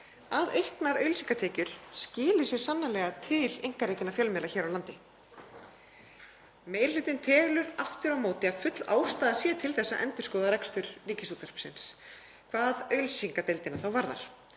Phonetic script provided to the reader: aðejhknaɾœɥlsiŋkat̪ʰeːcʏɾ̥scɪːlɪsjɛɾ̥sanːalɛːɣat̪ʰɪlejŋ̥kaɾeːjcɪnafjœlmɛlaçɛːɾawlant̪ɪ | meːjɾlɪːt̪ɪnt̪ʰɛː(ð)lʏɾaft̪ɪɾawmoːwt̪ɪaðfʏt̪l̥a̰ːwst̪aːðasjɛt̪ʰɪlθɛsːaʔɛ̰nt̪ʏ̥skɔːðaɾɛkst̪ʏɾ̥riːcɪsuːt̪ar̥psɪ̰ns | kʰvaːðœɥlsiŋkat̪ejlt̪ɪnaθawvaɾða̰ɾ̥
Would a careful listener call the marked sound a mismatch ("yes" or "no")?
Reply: yes